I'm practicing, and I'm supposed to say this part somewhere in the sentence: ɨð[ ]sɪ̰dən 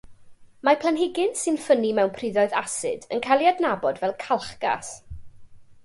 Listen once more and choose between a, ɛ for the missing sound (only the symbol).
a